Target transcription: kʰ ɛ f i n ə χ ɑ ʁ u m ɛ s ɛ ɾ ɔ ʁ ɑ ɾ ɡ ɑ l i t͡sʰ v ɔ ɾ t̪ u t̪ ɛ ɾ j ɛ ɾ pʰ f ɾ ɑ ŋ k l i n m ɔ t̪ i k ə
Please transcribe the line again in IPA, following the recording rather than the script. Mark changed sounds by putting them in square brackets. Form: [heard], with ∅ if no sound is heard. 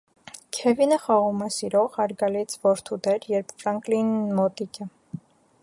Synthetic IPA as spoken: kʰ ɛ [v] i n ə χ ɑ ʁ u m ɛ s [i] ɾ ɔ ʁ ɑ ɾ ɡ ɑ l i t͡sʰ v ɔ ɾ [t̪ʰ] u [d̪] ɛ ɾ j ɛ ɾ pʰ f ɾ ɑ ŋ k l i n m ɔ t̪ i k ə